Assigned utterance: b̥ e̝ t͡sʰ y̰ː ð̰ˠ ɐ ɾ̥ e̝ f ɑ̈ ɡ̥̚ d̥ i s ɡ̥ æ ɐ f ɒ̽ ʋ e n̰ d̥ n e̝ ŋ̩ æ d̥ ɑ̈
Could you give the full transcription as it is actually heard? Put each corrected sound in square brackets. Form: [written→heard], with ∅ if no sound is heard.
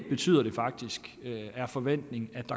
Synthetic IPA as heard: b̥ e̝ t͡sʰ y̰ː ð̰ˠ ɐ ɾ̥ e̝ f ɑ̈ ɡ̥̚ d̥ i s ɡ̥ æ ɐ f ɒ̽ ʋ e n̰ d̥ n e̝ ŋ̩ æ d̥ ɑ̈